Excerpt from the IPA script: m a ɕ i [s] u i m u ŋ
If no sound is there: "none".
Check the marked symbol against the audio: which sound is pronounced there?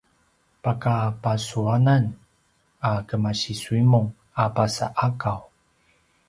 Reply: s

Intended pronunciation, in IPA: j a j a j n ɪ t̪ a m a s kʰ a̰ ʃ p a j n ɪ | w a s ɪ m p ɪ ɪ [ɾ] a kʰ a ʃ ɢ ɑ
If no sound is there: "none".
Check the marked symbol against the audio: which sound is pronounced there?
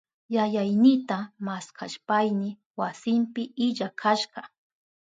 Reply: ʎ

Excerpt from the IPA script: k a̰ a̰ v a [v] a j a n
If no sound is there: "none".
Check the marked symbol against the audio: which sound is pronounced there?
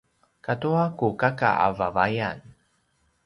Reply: v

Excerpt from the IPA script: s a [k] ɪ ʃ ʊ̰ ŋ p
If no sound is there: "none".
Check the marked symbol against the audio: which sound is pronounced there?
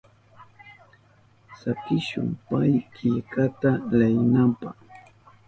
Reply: k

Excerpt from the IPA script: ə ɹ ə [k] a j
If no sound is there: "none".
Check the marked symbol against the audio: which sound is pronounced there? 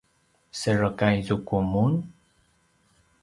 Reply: k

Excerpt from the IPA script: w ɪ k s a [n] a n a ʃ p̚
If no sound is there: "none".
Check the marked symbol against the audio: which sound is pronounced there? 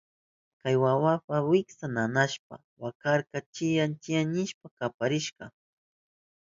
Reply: n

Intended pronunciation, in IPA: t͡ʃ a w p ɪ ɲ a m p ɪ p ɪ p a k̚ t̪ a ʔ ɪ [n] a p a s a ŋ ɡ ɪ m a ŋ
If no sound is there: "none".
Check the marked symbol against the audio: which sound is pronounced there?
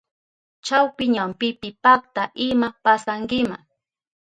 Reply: m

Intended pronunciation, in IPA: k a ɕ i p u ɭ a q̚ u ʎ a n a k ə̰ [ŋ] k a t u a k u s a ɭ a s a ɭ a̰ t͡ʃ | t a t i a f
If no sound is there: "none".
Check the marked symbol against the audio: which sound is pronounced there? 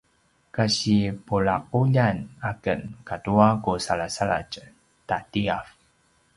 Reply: n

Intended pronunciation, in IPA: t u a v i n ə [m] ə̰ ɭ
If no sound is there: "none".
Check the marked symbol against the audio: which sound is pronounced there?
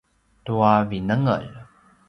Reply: ŋ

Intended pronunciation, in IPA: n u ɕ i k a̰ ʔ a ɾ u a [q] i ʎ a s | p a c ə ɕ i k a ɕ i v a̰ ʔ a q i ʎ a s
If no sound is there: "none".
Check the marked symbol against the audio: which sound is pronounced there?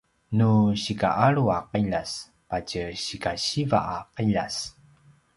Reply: q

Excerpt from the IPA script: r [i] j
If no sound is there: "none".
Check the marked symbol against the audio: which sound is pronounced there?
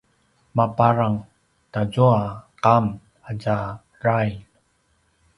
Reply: a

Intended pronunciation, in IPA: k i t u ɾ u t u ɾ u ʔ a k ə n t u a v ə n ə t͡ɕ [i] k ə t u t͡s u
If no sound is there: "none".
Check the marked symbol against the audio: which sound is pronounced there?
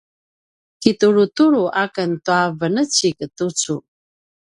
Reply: i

